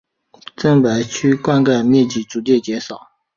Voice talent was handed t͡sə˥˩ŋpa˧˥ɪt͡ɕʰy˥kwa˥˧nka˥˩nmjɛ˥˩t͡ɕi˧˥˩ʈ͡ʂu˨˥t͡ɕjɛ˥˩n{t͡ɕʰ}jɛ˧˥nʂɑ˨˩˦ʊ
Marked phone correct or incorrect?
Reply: incorrect